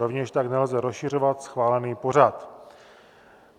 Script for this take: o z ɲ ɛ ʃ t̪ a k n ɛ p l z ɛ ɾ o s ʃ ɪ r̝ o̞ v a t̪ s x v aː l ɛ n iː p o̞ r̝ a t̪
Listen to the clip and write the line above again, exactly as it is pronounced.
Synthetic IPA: o v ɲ ɛ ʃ t̪ a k n ɛ l z ɛ ɾ o s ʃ ɪ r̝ o̞ v a t̪ s x v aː l ɛ n iː p o̞ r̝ a t̪

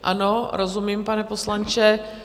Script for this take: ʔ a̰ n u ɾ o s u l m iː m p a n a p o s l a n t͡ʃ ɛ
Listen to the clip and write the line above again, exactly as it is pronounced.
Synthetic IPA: ʔ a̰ n o ɾ o z u m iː m p a n ɛ p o s l a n t͡ʃ ɛ

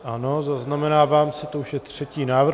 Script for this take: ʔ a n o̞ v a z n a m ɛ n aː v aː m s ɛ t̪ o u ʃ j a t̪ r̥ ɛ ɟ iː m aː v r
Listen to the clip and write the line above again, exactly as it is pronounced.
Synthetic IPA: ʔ a n o̞ z a z n a m ɛ n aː v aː m s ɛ t̪ o u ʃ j ɛ t̪ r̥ ɛ c iː n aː v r

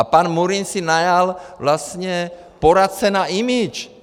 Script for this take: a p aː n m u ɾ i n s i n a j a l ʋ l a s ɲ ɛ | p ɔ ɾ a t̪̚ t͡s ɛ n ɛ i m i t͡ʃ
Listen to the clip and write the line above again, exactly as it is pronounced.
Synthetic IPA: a p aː n m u ɾ i n s i n a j a l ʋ l a s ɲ ɛ | p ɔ ɾ a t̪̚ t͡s ɛ n a i m i t͡ʃ

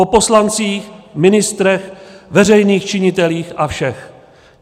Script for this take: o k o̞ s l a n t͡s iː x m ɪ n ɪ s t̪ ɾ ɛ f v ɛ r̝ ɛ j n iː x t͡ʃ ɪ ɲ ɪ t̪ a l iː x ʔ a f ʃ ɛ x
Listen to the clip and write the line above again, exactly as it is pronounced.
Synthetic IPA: o p o̞ s l a n t͡s iː x m ɪ n ɪ s t̪ ɾ ɛ x v ɛ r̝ ɛ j n iː x t͡ʃ ɪ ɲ ɪ t̪ ɛ l iː x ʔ a f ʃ ɛ x

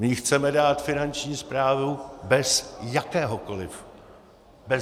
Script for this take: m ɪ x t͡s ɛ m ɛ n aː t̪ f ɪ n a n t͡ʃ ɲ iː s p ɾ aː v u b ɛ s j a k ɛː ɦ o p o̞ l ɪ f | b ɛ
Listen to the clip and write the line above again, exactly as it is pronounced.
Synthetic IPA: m ɪ x t͡s ɛ m ɛ d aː t̪ f ɪ n a n t͡ʃ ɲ iː s p ɾ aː v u b ɛ s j a k ɛː ɦ o k o̞ l ɪ f | b ɛ

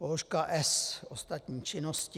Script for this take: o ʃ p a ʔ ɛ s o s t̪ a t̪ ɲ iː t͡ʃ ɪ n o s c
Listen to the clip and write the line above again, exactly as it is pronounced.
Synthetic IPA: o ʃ k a ʔ ɛ s o s t̪ a t̪ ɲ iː t͡ʃ ɪ n o s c

